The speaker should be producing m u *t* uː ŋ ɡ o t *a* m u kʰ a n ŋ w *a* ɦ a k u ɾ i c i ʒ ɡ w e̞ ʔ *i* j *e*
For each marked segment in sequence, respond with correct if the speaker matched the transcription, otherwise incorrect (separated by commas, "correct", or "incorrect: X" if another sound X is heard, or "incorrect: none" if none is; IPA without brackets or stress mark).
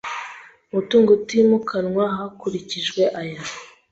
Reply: correct, incorrect: i, correct, incorrect: a, incorrect: a